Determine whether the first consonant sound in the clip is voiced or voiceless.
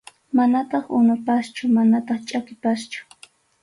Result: voiced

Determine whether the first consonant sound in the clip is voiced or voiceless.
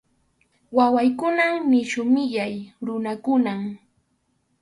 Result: voiced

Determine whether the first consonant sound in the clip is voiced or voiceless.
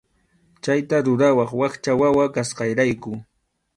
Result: voiceless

